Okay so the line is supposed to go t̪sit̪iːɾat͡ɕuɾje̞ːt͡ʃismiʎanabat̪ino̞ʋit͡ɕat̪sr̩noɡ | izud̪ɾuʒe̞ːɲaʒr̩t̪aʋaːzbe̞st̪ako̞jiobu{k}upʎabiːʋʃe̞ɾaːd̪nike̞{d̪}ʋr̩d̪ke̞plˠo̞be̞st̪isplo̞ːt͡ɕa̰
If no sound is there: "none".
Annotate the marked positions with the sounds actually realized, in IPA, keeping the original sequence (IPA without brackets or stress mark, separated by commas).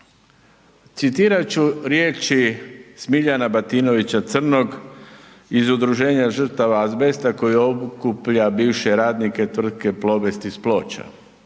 k, t̪